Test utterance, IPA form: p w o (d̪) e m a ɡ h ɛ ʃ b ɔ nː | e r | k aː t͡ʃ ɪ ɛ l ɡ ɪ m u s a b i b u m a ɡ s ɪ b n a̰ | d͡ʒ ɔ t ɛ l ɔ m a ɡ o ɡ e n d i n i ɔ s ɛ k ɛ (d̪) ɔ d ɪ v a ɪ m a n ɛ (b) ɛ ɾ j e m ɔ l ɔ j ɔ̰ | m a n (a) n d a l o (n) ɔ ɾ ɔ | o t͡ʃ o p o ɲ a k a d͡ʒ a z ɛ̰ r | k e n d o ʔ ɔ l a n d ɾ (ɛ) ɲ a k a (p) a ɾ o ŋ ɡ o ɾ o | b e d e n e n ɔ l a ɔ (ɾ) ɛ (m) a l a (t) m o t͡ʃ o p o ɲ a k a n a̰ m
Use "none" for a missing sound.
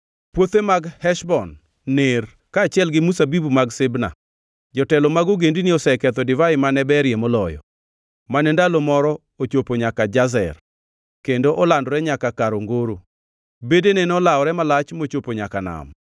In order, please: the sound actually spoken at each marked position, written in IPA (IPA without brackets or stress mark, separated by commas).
t̪, t̪, b, ɛ, m, ɛ, k, ɾ, m, t͡ʃ